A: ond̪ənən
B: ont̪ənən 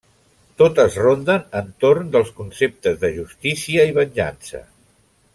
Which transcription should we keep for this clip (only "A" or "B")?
A